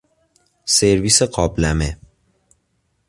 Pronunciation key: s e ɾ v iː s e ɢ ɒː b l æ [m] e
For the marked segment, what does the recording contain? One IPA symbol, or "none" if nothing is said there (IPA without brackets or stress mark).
m